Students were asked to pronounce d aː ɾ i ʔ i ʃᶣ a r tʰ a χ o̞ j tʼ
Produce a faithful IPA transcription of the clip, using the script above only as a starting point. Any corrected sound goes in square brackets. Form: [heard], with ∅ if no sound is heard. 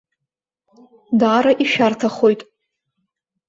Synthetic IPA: d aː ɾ [a] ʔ i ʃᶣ a r tʰ a χ o̞ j tʼ